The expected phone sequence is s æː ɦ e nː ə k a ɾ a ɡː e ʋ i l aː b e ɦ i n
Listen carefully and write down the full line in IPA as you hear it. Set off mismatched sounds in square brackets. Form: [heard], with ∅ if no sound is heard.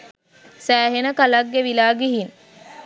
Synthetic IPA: s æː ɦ e [n] ə k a [l] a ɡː e ʋ i l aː [ɡ] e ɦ i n